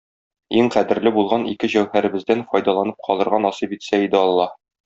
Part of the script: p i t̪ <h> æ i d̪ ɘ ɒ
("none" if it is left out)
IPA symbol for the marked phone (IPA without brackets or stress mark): s